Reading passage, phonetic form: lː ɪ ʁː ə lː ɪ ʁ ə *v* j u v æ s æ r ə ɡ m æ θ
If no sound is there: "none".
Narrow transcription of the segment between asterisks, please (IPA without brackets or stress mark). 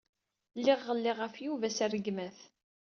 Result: f